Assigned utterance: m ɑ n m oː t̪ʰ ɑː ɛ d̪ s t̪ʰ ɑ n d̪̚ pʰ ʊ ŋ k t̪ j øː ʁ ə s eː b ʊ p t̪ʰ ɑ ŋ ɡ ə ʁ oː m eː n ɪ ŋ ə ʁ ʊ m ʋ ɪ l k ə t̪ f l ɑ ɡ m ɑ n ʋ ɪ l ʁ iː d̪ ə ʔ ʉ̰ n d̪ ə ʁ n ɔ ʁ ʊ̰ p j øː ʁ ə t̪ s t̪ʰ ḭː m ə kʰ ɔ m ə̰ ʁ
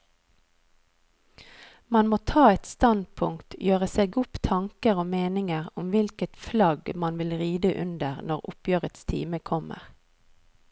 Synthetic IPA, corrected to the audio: m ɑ n m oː t̪ʰ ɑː ɛ t̪ s t̪ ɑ n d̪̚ pʰ ʊ ŋ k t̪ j øː ʁ ə s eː ɡ ʊ p t̪ʰ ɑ ŋ k ə ʁ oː m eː n ɪ ŋ ə ʁ ʊ m ʋ ɪ l k ə t̪ f l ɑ ɡ m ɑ n ʋ ɪ l ʁ iː d̪ ə ʔ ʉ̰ n d̪ ə ʁ n ɔ ʁ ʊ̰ p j øː ʁ ə t̪ s t̪ʰ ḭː m ə kʰ ɔ m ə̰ ʁ